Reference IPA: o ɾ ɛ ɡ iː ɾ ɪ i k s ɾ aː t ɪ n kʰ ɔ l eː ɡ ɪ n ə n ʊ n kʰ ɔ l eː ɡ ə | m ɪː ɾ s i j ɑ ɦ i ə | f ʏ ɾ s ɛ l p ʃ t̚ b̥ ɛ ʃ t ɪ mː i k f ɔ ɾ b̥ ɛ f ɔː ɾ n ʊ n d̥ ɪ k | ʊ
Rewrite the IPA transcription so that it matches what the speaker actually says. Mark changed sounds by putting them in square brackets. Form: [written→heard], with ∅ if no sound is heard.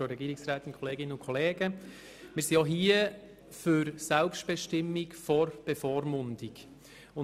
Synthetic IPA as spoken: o ɾ ɛ ɡ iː ɾ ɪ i k s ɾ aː t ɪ n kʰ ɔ l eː ɡ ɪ n ə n ʊ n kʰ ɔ l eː ɡ ə | m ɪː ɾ s i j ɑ ɦ i ə | f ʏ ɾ s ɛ l p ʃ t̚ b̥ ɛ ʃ t ɪ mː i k f ɔ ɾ b̥ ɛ f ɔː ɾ [n→m] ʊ n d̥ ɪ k | ʊ

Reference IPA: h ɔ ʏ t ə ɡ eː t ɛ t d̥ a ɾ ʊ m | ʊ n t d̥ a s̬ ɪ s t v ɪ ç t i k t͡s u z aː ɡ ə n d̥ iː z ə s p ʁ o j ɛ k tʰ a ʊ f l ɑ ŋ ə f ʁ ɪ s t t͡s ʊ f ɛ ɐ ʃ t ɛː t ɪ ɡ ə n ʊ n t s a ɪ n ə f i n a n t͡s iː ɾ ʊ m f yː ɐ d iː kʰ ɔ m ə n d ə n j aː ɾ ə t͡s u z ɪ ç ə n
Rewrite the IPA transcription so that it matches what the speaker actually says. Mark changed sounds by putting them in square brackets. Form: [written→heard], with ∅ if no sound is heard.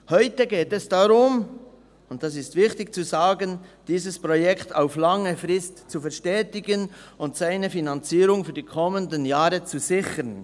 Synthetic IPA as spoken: h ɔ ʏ t ə ɡ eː t ɛ [t→s] d̥ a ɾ ʊ m | ʊ n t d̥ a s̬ ɪ s t v ɪ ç t [i→ɪ] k t͡s u z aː ɡ ə n d̥ iː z ə s p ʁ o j ɛ k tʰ a ʊ f l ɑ ŋ ə f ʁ ɪ s t t͡s [ʊ→u] f ɛ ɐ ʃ t ɛː t ɪ ɡ ə n ʊ n t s a ɪ n ə f i n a n t͡s iː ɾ ʊ [m→ŋ] f yː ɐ d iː kʰ ɔ m ə n d ə n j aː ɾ ə t͡s u z ɪ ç ə n

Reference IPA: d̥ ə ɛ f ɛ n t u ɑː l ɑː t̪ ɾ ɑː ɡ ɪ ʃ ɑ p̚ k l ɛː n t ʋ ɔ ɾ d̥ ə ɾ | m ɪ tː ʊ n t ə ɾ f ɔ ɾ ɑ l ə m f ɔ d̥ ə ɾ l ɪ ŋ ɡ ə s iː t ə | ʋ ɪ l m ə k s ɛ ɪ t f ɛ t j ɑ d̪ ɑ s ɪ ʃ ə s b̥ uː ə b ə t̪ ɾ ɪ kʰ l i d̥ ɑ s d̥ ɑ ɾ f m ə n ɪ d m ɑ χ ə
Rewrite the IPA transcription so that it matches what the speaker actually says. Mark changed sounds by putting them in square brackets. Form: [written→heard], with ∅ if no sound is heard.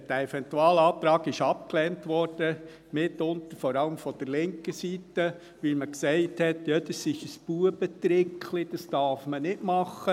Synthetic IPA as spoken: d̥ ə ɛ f ɛ n t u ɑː l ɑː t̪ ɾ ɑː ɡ ɪ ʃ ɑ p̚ k l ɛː n t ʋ ɔ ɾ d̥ ə [ɾ→∅] | m ɪ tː ʊ n t ə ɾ f ɔ ɾ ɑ l ə m f ɔ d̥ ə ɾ l ɪ ŋ [ɡ→k] ə s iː t ə | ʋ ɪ l m ə k s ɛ ɪ t [f→h] ɛ t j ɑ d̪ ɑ s ɪ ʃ ə s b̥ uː ə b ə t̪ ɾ ɪ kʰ l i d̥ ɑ s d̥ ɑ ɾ f m ə n ɪ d m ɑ χ ə

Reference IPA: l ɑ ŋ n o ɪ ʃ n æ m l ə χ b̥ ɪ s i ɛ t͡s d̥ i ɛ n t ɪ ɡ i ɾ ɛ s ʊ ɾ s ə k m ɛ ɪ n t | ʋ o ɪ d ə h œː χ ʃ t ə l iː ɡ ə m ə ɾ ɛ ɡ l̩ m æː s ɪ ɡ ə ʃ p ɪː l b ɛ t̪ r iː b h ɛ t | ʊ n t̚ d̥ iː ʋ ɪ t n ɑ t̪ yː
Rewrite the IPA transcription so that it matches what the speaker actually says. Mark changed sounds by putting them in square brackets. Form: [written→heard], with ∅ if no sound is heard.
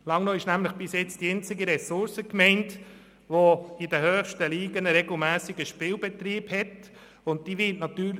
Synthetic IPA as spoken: l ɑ ŋ n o ɪ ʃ n æ m l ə χ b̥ ɪ s [i→j] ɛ t͡s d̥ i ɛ n [t→t͡s] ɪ ɡ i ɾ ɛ s ʊ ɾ s ə k m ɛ ɪ n t | ʋ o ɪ d ə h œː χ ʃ t ə l iː ɡ ə [m→n] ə ɾ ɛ ɡ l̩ m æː s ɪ ɡ ə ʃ p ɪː l b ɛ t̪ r iː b h ɛ t | ʊ n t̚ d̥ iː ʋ ɪ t n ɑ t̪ yː

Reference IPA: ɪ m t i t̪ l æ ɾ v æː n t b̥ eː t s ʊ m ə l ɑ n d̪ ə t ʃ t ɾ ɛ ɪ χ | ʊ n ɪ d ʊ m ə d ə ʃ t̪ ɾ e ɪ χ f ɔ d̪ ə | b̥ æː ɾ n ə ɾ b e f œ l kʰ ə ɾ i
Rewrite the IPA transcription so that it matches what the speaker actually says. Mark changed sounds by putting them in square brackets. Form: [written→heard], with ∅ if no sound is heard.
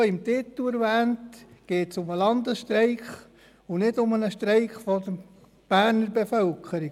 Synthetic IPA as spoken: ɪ m t [i→ɪ] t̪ l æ ɾ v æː n t [b̥→ɡ̥] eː t s ʊ m ə l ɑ n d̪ ə [t→s] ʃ t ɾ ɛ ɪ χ | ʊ n ɪ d ʊ m ə [d→n] ə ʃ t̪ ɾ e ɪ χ f ɔ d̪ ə | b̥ æː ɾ n ə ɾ b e f œ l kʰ ə ɾ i

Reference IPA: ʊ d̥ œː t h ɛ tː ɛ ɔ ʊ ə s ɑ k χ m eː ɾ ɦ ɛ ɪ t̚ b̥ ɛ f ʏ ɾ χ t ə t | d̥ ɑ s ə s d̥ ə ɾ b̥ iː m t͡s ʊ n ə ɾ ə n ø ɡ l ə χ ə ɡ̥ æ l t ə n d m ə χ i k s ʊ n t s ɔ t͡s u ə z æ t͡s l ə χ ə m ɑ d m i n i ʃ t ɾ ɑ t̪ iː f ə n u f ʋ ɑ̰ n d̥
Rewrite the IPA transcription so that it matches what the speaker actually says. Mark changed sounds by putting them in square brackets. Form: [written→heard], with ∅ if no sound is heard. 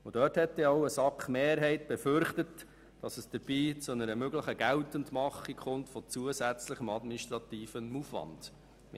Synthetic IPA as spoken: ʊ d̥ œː t h ɛ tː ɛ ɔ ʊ ə s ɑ k χ m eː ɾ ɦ ɛ ɪ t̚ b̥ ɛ f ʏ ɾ χ t ə t | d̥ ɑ s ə s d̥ ə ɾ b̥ iː [m→∅] t͡s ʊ n ə ɾ ə [n→m] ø ɡ l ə χ ə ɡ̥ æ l t ə n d m [ə→ɑ] χ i k [s→χ] ʊ n t [s→f] ɔ t͡s u ə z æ t͡s l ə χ ə m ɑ d m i n i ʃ t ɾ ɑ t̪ iː f ə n u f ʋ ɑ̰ n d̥

